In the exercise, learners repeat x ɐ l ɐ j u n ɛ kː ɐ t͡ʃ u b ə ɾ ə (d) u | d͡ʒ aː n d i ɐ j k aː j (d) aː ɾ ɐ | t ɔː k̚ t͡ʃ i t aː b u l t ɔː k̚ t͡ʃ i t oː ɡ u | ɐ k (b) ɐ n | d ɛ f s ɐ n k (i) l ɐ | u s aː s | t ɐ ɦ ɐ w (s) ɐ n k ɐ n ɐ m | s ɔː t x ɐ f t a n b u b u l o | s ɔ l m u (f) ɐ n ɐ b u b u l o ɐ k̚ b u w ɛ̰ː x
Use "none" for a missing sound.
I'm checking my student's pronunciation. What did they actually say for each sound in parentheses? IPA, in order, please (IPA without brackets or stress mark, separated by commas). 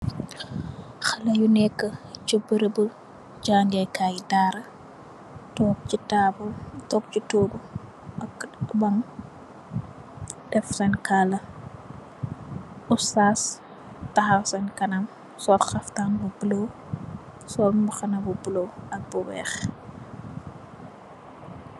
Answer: b, d, b, a, s, x